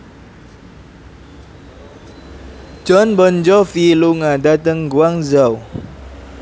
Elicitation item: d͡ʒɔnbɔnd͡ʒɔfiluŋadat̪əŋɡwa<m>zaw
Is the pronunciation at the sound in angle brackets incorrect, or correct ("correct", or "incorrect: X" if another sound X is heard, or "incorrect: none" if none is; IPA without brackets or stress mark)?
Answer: incorrect: ŋ